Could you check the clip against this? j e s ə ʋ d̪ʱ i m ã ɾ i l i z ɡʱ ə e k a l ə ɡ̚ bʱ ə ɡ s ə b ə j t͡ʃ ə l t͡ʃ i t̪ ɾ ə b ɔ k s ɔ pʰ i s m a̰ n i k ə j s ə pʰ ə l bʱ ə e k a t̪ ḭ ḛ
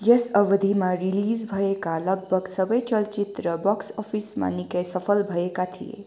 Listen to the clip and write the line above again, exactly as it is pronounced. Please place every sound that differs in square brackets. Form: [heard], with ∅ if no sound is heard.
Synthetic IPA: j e s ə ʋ d̪ʱ i m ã ɾ i l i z [bʱ] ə e k a l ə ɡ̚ bʱ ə ɡ s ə b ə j t͡ʃ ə l t͡ʃ i t̪ ɾ ə b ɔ k s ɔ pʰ i s m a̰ n i k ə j s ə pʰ ə l bʱ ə e k a [t̪ʰ] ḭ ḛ